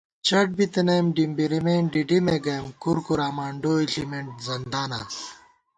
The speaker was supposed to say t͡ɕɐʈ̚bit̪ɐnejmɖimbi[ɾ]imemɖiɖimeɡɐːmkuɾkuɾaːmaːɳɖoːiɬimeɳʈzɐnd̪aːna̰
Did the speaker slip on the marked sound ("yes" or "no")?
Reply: no